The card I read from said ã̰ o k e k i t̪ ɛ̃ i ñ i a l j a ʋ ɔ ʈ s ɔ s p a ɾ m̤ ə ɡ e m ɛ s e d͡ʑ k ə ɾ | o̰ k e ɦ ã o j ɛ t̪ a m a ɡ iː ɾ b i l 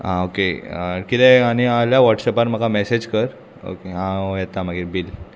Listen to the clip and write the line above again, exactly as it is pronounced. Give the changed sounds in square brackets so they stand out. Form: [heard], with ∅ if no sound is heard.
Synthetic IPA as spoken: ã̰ o k e k i t̪ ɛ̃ [a] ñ i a l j a ʋ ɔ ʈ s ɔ [∅] p a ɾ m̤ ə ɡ [a] m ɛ s e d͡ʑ k ə ɾ | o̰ k e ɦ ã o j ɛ t̪ a m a ɡ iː ɾ b i l